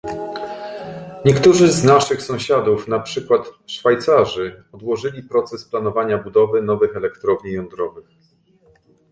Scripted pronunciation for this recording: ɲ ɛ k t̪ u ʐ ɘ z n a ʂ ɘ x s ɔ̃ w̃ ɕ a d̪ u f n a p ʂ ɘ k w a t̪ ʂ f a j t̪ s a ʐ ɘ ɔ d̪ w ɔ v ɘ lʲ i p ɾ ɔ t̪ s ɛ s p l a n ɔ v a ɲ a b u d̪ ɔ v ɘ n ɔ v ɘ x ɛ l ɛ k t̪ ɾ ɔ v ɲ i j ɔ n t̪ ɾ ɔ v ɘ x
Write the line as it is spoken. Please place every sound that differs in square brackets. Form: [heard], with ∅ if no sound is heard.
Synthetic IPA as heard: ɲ ɛ k t̪ u ʐ ɘ z n a ʂ ɘ x s ɔ̃ w̃ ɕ a d̪ u f n a p ʂ ɘ k w a t̪ ʂ f a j t̪ s a ʐ ɘ ɔ d̪ w ɔ [ʐ] ɘ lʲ i p ɾ ɔ t̪ s ɛ s p l a n ɔ v a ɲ a b u d̪ ɔ v ɘ n ɔ v ɘ x ɛ l ɛ k t̪ ɾ ɔ v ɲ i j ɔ n [d̪] ɾ ɔ v ɘ x